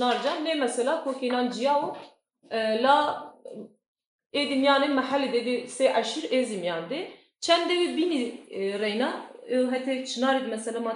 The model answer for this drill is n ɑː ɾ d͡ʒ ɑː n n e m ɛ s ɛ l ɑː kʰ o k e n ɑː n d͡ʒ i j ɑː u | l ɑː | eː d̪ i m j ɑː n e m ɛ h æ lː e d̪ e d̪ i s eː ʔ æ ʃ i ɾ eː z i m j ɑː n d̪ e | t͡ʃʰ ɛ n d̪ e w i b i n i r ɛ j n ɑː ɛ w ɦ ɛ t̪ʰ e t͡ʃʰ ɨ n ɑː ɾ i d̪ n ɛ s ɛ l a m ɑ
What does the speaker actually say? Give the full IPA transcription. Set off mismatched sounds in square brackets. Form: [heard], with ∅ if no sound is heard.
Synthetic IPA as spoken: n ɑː ɾ d͡ʒ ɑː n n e m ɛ s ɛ l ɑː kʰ o k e n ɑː n d͡ʒ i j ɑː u | l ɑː | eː d̪ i m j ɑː n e m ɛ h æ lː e d̪ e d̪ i s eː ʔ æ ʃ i ɾ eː z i m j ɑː n d̪ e | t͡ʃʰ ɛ n d̪ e w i b i n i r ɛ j n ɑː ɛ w ɦ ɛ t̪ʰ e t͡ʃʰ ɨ n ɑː ɾ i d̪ [m] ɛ s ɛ l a m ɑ